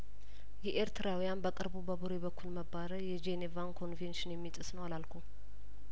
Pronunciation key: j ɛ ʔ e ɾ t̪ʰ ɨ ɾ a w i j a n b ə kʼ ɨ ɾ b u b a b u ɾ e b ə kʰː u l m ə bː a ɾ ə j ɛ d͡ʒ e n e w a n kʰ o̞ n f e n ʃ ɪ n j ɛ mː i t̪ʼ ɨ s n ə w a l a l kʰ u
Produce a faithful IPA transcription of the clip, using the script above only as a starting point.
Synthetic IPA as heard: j ɛ ʔ e ɾ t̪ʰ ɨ ɾ a w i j a n b ə kʼ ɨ ɾ b u b ə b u ɾ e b ə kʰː u l m ə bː a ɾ ə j ɛ d͡ʒ e n e v a n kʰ o̞ n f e n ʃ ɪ n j ɛ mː i t̪ʼ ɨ s n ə w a l a l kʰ u

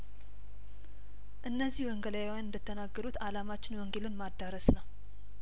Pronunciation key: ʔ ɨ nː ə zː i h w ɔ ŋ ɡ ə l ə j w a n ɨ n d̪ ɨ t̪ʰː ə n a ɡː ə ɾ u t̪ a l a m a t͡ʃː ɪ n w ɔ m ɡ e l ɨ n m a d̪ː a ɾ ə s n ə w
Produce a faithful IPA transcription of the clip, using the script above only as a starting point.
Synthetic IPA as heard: ʔ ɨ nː ə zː i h w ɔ ŋ ɡ ə l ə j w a n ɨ n d̪ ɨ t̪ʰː ə n a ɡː ə ɾ u t̪ a l a m a t͡ʃː ɪ n w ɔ ŋ ɡ e l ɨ n m a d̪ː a ɾ ə s n ə w

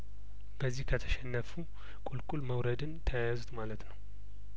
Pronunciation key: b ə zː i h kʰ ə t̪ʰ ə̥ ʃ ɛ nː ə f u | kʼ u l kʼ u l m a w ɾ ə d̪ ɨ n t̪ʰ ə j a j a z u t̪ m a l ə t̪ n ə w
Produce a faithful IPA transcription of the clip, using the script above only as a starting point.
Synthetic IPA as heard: b ə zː i h kʰ ə t̪ʰ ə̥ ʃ ɛ nː ə f u | kʼ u l kʼ u l m ə w ɾ ə d̪ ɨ n t̪ʰ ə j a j a z u t̪ m a l ə t̪ n ə w

